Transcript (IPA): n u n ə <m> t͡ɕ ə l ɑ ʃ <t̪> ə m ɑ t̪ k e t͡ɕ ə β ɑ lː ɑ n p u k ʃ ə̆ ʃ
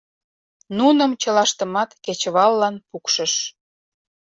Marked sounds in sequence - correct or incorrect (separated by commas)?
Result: correct, correct